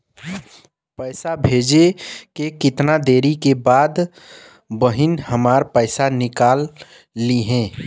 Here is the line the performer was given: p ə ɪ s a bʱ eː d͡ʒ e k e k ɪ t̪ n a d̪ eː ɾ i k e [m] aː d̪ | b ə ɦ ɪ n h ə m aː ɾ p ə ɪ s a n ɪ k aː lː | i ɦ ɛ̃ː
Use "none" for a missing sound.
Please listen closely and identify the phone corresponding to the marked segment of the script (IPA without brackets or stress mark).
b